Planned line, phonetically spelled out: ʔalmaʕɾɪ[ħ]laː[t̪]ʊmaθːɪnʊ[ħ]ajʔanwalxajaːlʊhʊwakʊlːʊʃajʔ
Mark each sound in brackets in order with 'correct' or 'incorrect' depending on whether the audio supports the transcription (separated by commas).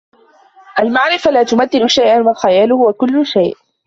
incorrect, correct, incorrect